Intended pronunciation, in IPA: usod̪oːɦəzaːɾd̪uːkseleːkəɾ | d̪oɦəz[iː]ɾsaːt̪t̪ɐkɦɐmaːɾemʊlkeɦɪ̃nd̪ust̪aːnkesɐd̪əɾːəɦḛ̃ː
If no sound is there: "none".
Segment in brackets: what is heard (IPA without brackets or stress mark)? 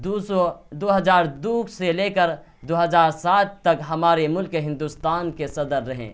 aː